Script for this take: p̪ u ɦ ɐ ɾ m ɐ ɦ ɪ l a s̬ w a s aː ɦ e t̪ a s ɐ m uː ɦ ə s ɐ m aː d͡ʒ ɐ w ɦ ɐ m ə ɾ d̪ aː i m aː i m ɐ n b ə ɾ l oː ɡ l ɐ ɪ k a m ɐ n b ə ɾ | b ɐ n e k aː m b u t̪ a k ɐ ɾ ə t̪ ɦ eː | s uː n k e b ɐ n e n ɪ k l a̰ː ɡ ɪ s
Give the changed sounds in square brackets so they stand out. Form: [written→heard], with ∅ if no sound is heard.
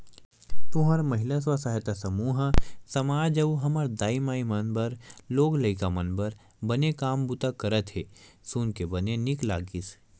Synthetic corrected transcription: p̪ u ɦ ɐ ɾ m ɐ ɦ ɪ l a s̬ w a s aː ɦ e t̪ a s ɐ m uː ɦ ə s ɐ m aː d͡ʒ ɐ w ɦ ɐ m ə ɾ d̪ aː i m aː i m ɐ n b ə ɾ l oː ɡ l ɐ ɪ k a m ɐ n b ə ɾ | b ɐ n e k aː m b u t̪ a k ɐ ɾ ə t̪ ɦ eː | s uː n k e b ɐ n e n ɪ k l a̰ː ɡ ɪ s